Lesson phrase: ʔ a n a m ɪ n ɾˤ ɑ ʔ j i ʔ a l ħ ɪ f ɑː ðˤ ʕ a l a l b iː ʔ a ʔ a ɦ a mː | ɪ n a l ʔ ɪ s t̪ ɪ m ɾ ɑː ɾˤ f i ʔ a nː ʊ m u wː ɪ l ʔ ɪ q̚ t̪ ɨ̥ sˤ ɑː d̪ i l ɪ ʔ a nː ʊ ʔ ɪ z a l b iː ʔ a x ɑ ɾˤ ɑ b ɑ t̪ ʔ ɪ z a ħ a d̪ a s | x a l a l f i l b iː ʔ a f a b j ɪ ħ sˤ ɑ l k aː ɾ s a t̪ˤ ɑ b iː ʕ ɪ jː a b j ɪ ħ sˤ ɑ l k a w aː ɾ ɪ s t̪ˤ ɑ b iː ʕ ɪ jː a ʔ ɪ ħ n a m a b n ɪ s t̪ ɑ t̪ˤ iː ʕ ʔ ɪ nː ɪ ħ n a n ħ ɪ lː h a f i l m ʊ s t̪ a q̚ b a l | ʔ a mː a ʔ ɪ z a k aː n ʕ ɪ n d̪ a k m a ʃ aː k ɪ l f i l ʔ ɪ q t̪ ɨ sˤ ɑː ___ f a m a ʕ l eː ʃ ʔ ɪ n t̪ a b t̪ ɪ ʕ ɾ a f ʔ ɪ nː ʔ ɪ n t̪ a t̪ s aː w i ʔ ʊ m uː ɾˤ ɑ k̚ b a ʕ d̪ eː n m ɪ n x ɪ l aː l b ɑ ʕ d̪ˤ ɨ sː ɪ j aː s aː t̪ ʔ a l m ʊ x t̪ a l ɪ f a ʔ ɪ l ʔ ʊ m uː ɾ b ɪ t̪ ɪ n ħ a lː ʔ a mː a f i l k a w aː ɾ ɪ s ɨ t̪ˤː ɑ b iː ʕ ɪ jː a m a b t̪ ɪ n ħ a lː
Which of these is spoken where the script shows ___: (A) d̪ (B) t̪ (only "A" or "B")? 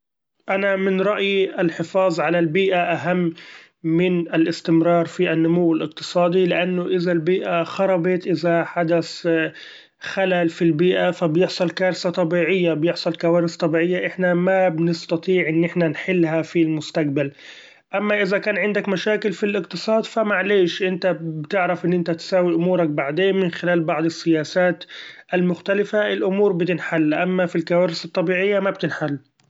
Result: A